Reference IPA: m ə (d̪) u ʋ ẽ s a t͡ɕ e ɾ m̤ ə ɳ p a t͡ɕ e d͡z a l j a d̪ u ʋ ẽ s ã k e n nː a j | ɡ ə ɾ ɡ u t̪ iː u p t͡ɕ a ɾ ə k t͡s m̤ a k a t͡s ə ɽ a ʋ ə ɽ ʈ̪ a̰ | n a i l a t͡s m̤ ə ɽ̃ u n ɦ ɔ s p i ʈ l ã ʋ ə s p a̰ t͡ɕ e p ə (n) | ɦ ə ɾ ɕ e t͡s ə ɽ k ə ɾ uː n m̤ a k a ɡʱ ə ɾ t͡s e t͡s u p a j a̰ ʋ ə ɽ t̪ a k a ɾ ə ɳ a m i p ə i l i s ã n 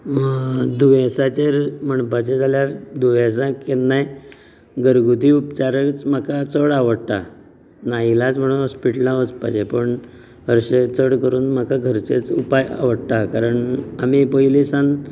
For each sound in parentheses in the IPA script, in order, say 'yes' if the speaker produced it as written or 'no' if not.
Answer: yes, no

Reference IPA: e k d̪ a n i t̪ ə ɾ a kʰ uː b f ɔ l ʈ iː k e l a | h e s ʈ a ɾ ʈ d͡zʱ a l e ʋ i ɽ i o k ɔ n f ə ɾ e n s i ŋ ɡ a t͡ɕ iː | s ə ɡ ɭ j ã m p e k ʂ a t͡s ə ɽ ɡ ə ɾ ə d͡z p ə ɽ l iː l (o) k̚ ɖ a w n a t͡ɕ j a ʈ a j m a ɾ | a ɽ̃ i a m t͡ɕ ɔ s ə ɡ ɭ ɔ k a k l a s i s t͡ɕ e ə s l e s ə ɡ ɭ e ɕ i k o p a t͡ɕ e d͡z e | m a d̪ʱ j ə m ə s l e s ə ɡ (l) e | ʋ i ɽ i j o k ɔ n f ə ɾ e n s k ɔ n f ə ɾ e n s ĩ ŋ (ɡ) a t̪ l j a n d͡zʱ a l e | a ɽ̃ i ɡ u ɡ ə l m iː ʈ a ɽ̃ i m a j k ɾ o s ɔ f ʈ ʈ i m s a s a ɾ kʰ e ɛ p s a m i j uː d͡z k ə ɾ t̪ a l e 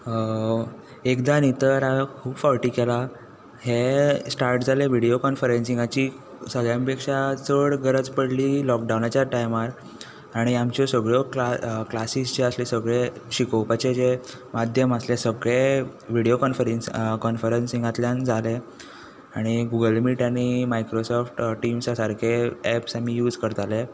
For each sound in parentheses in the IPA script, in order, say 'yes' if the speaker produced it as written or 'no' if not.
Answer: no, no, yes

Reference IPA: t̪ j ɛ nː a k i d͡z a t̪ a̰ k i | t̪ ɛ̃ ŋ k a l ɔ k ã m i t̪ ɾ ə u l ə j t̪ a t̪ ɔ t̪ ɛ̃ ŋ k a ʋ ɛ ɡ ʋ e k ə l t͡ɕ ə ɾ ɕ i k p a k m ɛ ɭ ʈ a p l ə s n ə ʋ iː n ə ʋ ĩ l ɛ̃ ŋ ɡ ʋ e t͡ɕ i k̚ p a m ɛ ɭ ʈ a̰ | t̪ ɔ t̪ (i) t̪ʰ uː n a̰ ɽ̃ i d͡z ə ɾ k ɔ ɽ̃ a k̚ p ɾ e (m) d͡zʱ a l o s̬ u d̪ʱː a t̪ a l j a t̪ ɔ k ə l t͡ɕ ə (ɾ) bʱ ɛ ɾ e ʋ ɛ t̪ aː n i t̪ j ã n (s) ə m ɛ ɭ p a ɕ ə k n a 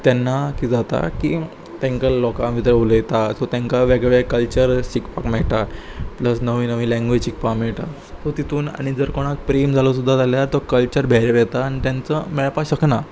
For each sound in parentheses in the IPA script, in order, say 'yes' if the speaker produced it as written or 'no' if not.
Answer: yes, yes, yes, no

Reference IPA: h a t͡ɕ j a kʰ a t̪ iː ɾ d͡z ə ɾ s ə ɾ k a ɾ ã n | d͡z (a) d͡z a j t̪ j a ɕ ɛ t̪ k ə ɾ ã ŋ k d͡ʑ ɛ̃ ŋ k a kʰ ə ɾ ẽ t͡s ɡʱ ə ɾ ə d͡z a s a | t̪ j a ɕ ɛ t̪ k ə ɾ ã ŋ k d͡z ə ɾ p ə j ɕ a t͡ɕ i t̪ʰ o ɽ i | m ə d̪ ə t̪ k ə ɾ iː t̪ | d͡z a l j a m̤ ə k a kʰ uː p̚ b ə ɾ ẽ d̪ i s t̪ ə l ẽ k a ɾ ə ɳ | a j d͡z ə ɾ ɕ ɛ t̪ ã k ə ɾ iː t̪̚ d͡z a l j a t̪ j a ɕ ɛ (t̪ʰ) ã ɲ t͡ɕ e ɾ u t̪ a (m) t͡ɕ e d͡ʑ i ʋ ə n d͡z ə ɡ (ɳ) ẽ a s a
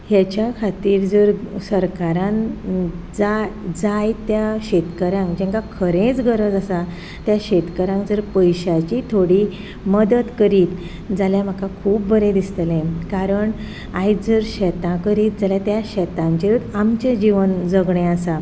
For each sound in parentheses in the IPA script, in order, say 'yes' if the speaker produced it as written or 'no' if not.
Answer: yes, no, yes, yes

